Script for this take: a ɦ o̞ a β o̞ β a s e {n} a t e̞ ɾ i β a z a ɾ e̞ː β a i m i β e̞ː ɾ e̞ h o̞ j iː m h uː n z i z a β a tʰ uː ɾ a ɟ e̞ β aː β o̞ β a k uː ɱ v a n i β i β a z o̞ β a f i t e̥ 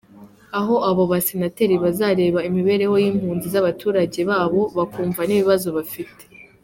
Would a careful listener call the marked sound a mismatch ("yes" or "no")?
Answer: no